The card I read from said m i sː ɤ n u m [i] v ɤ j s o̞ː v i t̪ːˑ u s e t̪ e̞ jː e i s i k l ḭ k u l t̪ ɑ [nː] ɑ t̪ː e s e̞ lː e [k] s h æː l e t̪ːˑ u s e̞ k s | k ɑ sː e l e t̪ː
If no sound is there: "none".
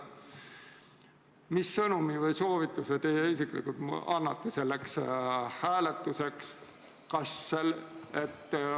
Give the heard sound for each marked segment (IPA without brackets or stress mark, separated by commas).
i, nː, k